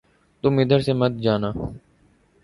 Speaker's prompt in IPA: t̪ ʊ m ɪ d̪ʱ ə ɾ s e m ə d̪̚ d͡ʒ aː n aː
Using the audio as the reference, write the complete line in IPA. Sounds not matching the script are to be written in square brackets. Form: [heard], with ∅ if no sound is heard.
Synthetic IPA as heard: t̪ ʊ m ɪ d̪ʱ ə ɾ s e m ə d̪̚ d͡ʒ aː n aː